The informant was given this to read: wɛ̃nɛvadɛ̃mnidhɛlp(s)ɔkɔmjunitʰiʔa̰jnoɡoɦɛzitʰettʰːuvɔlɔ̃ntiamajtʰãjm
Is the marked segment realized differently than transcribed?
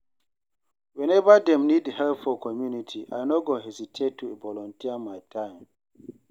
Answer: yes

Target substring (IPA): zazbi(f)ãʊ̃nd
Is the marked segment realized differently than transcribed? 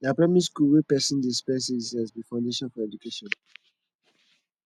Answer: no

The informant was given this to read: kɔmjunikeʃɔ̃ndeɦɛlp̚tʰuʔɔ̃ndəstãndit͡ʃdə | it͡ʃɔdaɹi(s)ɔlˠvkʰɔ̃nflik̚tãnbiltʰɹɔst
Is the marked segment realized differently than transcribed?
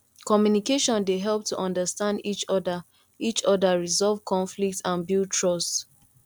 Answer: yes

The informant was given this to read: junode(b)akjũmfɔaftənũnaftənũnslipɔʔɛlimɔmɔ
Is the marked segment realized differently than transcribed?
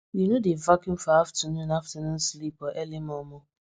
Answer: yes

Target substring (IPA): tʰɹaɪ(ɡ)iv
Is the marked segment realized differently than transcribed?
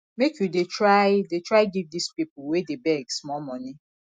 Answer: no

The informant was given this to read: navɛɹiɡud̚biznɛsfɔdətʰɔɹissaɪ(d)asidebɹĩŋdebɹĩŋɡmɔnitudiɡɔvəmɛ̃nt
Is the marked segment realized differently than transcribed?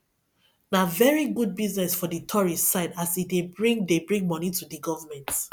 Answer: no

